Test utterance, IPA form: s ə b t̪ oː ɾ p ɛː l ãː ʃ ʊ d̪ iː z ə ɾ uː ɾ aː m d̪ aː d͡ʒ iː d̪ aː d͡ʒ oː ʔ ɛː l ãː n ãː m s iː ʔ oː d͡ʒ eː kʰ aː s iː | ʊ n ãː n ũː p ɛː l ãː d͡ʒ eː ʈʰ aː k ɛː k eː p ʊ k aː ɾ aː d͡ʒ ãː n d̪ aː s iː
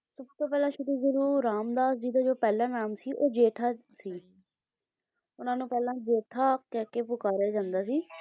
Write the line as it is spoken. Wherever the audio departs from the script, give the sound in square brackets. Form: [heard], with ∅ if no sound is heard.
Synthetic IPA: s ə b t̪ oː [∅] p ɛː l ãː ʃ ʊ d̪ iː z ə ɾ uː ɾ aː m d̪ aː d͡ʒ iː d̪ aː d͡ʒ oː [p] ɛː l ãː n [aː] m s iː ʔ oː d͡ʒ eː [ʈʰ] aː s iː | ʊ n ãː n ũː p ɛː l ãː d͡ʒ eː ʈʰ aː k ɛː k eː p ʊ k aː ɾ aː d͡ʒ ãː n d̪ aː s iː